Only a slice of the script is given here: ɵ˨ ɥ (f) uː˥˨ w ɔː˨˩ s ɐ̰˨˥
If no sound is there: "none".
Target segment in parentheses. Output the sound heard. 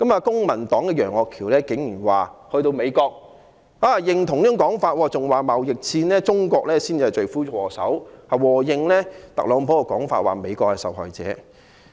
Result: f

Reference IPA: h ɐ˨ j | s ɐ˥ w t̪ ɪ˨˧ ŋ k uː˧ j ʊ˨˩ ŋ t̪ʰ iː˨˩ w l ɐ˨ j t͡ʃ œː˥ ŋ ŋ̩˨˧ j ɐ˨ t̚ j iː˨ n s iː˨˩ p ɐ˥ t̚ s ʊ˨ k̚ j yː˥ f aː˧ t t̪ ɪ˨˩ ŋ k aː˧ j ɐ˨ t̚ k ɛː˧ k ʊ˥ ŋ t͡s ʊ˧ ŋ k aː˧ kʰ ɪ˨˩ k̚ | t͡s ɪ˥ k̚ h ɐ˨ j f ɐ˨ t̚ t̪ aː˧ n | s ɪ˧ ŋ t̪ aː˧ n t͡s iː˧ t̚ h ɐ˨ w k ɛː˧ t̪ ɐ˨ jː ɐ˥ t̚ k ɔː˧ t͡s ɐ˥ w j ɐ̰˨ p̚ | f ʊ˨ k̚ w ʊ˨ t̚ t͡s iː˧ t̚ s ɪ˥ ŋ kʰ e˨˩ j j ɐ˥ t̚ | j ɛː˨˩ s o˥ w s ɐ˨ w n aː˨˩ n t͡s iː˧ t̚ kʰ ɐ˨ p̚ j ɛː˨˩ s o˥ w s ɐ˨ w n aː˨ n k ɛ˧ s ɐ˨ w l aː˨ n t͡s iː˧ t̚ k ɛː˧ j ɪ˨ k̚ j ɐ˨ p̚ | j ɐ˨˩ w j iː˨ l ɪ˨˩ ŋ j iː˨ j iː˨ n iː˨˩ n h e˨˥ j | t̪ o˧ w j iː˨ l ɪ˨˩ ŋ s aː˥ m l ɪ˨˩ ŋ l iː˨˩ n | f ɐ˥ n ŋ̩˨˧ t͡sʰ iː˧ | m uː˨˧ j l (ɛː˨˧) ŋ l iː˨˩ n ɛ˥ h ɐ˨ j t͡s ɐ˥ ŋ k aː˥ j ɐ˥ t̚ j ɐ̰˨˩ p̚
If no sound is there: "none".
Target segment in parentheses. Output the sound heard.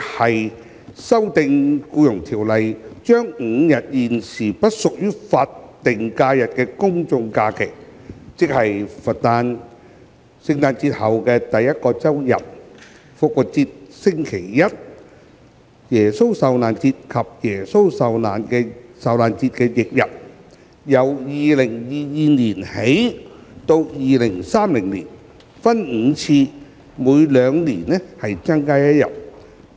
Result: œː˨˧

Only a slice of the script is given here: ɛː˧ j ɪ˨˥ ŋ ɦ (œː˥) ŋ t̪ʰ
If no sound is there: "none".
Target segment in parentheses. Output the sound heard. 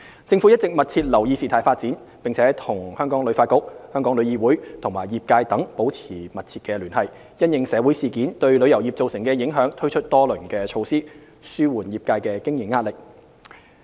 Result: œː˨˥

